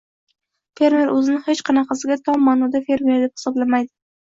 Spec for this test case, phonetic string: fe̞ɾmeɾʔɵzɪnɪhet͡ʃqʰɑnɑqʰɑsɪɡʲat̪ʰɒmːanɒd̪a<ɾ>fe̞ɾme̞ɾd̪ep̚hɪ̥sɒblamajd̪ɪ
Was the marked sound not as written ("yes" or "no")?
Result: yes